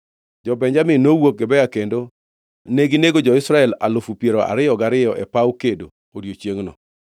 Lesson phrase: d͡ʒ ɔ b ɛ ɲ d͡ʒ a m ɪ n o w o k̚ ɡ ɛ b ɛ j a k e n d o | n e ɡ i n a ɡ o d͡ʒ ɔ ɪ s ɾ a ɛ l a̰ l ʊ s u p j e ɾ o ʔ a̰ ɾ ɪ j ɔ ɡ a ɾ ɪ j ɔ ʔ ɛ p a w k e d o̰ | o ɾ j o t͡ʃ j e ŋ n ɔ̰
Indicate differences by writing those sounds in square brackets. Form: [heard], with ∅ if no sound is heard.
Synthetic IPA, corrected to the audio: d͡ʒ ɔ b ɛ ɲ d͡ʒ a m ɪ n o w o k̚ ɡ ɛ b ɛ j a k e n d o | n e ɡ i n [e] ɡ o d͡ʒ ɔ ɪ s ɾ a ɛ l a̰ l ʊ [f] u p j e ɾ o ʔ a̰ ɾ ɪ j ɔ ɡ a ɾ ɪ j ɔ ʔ ɛ p a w k e d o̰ | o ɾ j o t͡ʃ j e ŋ n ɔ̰

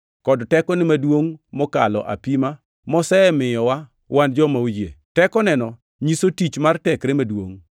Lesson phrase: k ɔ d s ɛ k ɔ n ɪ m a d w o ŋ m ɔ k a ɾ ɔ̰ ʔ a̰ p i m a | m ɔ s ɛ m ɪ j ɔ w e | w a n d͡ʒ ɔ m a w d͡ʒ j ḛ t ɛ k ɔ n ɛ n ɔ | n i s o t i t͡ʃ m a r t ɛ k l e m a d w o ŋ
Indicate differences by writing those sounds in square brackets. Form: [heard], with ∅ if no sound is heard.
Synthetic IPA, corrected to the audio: k ɔ d [t] ɛ k ɔ n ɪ m a d w o ŋ m ɔ k a [l] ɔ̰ ʔ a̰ p i m a | m ɔ s ɛ m ɪ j ɔ w [a] | w a n d͡ʒ ɔ m a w d͡ʒ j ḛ t ɛ k ɔ n ɛ n ɔ | [ɲ] i s o t i t͡ʃ m a r t ɛ k [ɾ] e m a d w o ŋ

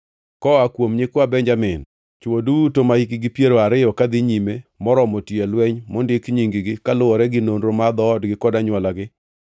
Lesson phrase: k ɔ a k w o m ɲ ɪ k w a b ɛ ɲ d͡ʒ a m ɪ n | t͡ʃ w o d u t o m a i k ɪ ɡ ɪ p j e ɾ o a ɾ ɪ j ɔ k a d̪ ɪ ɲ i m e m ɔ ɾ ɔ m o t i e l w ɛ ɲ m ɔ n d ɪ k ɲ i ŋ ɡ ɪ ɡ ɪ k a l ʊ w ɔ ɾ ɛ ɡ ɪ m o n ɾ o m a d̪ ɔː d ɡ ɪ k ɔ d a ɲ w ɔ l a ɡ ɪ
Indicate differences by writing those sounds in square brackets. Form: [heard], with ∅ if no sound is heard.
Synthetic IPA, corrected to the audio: k ɔ a k w o m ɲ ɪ k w a b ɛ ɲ d͡ʒ a m ɪ n | t͡ʃ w o d u t o m a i k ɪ ɡ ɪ p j e ɾ o a ɾ ɪ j ɔ k a d̪ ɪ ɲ i m e m ɔ ɾ ɔ m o t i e l w ɛ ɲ m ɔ n d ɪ k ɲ i ŋ ɡ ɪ ɡ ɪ k a l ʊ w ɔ ɾ ɛ ɡ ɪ [n] o n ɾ o m a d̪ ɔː d ɡ ɪ k ɔ d a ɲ w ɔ l a ɡ ɪ

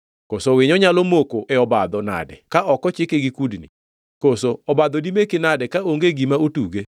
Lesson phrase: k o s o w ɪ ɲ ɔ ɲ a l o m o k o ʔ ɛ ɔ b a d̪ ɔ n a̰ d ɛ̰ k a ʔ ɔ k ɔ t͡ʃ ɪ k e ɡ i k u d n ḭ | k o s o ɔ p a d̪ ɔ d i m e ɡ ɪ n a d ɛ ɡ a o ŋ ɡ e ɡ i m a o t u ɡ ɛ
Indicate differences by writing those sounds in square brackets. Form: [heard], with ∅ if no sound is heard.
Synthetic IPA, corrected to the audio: k o s o w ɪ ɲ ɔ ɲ a l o m o k o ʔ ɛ ɔ b a d̪ ɔ n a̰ d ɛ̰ k a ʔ ɔ k ɔ t͡ʃ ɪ k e ɡ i k u d n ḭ | k o s o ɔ [b] a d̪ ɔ d i m e [k] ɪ n a d ɛ [k] a o ŋ ɡ e ɡ i m a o t u ɡ [e]

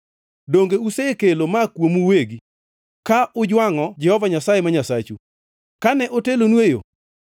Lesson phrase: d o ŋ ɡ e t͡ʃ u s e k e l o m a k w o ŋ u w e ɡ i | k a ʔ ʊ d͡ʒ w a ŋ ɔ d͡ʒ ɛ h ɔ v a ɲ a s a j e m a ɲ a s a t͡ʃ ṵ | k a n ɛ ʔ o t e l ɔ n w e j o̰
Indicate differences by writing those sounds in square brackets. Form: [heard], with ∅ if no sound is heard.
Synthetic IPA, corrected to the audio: d o ŋ ɡ e [∅] u s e k e l o m a k w o [m] u w e ɡ i | k a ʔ ʊ d͡ʒ w a ŋ ɔ d͡ʒ ɛ h ɔ v a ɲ a s a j e m a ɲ a s a t͡ʃ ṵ | k a n ɛ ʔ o t e l [o] n w e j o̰

